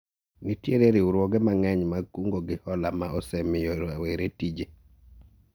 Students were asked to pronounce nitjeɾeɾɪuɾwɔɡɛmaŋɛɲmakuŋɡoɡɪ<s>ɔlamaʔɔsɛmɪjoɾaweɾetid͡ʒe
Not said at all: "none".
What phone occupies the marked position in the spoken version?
h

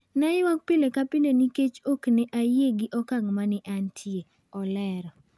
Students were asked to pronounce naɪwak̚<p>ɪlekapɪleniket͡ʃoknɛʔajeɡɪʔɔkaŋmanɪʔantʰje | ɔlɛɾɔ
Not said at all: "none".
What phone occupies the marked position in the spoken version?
p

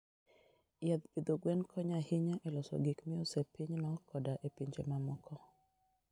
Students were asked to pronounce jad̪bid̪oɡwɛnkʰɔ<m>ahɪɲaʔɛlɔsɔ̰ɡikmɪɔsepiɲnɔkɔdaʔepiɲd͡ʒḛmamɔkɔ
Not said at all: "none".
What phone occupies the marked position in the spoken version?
ɲ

